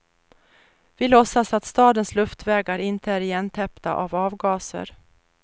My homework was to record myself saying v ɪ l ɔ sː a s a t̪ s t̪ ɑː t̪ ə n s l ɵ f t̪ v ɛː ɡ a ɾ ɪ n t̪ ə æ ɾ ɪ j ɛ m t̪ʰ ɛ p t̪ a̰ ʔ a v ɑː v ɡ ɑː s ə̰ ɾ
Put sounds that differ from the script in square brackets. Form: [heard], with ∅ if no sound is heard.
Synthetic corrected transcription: v ɪ l ɔ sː a s a t̪ s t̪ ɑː [d̪] ə n s l ɵ f t̪ v ɛː ɡ a ɾ ɪ n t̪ ə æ ɾ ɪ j ɛ [n] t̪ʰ ɛ p t̪ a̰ ʔ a v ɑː v ɡ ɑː s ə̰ ɾ